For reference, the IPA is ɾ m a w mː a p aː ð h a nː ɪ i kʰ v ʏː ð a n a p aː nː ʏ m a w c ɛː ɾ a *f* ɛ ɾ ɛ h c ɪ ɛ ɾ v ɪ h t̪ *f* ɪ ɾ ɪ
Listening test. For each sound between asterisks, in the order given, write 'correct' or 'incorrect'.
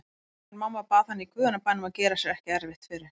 incorrect, correct

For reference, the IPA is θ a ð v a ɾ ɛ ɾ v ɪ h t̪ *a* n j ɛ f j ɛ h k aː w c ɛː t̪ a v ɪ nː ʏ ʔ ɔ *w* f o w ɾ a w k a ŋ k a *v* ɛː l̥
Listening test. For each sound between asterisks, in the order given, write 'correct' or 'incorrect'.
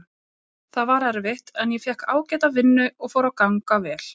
incorrect, incorrect, correct

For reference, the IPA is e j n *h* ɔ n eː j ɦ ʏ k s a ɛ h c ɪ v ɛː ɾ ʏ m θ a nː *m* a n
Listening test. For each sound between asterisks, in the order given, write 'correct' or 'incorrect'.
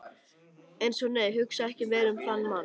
incorrect, correct

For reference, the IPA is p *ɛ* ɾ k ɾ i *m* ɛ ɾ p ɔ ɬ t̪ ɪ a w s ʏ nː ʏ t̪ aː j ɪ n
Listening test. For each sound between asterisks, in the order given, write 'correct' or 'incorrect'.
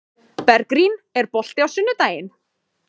correct, incorrect

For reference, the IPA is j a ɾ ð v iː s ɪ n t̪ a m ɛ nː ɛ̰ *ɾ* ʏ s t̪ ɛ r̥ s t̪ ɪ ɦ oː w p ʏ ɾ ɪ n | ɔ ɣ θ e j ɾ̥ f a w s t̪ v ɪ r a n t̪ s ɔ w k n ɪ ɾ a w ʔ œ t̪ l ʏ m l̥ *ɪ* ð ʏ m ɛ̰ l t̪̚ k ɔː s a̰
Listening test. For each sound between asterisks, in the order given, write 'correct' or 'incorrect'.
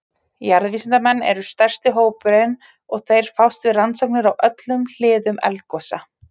correct, incorrect

